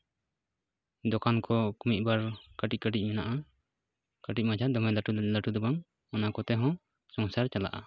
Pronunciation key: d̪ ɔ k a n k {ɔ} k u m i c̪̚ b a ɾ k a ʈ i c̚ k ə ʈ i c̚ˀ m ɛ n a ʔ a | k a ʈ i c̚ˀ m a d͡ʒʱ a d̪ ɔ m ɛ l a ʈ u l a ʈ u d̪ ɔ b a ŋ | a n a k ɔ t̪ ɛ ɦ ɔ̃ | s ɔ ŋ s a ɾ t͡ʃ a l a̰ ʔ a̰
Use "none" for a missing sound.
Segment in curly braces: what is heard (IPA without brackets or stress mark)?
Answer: ɔ